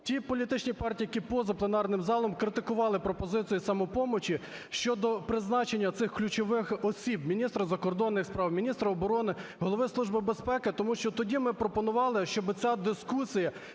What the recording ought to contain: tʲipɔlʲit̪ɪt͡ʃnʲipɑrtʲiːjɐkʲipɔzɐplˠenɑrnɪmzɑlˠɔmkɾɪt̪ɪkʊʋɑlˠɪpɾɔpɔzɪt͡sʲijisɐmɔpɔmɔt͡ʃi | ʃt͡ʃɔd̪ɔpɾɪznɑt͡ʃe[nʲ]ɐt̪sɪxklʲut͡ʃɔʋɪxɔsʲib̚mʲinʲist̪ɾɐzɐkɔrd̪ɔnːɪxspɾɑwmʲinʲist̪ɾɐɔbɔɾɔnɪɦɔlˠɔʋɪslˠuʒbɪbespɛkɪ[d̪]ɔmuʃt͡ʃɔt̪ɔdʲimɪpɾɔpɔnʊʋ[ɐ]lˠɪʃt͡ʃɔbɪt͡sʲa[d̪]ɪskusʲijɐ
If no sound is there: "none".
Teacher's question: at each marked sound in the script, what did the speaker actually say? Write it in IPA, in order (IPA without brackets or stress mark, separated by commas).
nʲː, t̪, ɑ, d̪